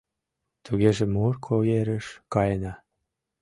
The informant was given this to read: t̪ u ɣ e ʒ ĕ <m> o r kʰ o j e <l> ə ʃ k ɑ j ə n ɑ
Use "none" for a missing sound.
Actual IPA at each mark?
m, ɾ

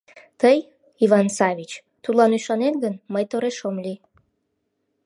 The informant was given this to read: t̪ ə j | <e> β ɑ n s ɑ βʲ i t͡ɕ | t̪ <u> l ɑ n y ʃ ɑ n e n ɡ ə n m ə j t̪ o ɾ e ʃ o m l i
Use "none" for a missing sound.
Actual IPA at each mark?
i, u

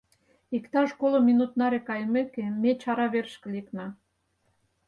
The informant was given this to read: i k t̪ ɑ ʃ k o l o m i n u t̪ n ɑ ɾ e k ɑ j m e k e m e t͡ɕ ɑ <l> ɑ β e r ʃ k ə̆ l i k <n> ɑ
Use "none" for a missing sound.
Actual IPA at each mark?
ɾ, n

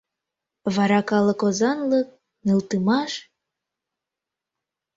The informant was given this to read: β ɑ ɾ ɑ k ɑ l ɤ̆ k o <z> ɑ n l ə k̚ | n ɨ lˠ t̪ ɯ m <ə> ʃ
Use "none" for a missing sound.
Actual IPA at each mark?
z, ɑ

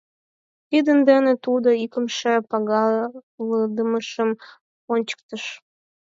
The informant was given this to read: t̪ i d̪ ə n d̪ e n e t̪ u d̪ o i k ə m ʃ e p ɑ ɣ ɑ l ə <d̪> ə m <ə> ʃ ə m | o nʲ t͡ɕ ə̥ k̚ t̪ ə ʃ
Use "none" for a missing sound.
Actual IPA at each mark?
d̪, ə

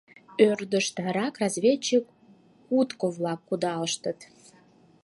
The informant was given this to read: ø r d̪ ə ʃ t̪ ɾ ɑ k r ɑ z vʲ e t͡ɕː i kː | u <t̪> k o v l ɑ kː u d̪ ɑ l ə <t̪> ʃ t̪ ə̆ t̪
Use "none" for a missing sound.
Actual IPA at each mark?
t̪, none

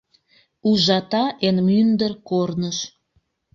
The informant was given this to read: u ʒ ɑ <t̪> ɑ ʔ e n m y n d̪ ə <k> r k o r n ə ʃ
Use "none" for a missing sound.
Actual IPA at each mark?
t̪, none

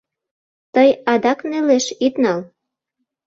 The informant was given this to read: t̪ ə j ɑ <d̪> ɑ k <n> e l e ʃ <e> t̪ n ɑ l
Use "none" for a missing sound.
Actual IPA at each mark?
d̪, n, i

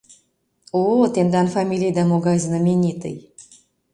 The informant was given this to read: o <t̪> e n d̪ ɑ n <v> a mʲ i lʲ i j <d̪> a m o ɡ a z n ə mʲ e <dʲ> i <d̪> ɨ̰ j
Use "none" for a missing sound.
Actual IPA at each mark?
t̪, f, d̪, nʲ, t̪

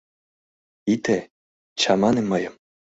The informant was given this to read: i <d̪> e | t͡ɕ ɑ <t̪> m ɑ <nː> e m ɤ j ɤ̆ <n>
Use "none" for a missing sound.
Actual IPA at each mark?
t̪, none, n, m

